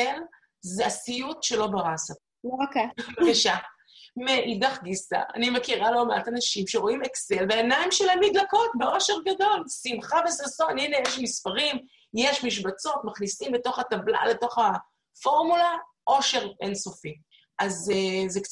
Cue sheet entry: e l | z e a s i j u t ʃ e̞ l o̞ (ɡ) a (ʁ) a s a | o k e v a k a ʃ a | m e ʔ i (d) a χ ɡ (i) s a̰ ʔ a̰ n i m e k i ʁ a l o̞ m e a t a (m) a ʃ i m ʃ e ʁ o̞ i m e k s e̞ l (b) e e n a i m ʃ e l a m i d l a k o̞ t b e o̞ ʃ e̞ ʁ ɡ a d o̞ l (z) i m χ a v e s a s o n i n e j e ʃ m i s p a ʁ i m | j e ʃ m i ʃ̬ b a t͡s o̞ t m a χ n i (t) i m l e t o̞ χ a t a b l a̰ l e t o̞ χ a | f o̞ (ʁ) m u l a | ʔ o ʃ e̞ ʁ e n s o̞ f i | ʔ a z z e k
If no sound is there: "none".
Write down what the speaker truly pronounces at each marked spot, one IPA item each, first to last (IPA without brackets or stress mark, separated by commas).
b, ʁ, d, i, n, v, s, s, ʁ